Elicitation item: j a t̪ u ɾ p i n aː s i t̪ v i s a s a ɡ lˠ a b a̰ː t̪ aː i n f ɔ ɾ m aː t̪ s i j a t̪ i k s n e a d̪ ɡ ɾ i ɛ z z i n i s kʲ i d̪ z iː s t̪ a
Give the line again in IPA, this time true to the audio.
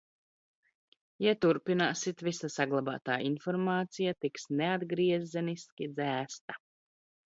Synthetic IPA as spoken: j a t̪ u ɾ p i n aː s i t̪ v i s a s a ɡ lˠ a b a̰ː t̪ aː i n f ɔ ɾ m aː t̪ s i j a t̪ i k s n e a d̪ ɡ ɾ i ɛ z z ɛ n i s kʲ i d̪ z æː s t̪ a